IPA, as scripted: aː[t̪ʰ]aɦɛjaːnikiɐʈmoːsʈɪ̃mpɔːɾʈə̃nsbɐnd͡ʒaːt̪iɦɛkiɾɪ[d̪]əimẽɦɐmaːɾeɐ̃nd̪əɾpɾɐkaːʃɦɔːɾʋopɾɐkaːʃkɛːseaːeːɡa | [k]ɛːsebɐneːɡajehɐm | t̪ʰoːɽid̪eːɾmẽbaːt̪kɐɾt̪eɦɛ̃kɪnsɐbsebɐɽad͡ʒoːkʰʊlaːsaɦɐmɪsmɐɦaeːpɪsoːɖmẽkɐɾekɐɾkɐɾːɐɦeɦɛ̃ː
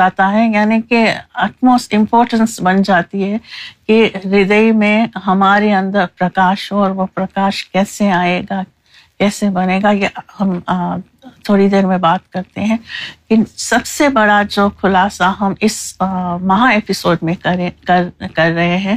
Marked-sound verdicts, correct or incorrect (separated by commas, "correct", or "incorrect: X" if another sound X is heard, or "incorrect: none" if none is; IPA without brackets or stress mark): incorrect: t̪, correct, correct